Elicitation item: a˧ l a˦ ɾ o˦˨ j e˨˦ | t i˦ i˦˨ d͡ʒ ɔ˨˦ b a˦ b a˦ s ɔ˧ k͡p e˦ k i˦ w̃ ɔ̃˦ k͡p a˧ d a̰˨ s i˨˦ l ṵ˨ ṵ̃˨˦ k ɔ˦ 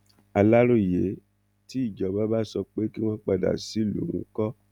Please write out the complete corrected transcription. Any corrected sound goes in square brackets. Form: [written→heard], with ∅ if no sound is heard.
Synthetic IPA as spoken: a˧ l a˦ ɾ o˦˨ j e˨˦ | t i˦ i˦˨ d͡ʒ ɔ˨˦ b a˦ b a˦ s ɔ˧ k͡p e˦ k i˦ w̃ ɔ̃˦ k͡p a˧ d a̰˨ s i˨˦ l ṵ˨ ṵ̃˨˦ k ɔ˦